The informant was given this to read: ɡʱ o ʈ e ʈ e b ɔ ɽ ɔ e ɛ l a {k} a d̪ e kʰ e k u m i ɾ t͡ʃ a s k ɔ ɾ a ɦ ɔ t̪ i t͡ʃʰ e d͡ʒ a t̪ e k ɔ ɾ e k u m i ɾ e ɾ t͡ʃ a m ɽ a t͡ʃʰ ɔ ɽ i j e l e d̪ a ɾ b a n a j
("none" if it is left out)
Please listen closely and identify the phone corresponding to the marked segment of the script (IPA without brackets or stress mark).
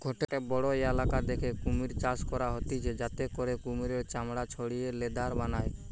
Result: k